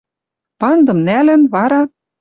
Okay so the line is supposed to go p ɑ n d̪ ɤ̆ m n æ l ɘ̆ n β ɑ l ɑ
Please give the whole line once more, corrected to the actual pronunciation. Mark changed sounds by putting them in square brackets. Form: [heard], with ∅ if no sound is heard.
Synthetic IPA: p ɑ n d̪ ɤ̆ m n æ l ɘ̆ n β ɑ [ɾ] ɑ

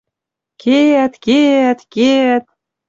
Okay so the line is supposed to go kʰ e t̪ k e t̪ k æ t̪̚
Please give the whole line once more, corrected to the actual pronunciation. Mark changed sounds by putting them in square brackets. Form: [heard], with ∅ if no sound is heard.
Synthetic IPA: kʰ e t̪ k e t̪ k [e] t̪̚

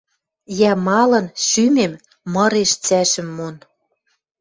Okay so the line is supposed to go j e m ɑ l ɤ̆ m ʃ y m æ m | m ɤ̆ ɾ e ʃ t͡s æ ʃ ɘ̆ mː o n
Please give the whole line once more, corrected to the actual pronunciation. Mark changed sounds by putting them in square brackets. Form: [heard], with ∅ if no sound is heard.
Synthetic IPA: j [æ] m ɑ l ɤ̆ [n] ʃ y m [e] m | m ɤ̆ ɾ e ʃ t͡s æ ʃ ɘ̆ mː o n

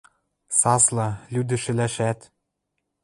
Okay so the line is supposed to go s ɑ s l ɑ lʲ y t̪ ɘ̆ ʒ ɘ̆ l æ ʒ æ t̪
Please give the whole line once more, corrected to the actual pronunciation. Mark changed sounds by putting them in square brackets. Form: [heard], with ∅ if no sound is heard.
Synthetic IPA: s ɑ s l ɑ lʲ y [d̪] ɘ̆ [ʃ] ɘ̆ l æ [ʃ] æ t̪

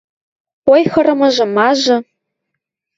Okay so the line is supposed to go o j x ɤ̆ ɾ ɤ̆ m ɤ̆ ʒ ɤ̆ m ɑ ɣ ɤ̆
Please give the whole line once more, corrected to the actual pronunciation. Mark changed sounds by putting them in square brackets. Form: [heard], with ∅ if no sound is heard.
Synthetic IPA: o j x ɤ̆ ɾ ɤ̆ m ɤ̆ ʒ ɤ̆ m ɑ [ʒ] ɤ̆

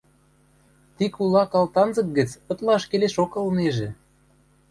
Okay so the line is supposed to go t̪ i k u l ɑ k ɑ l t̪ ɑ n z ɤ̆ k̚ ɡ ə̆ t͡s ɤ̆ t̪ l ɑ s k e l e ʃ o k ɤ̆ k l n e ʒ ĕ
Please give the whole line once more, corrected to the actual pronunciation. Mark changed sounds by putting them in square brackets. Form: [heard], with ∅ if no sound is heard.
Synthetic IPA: t̪ i k u l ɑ k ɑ l t̪ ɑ n z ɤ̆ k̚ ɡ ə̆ t͡s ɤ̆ t̪ l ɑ [ʃ] k e l e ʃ o k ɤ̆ [∅] l n e ʒ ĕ

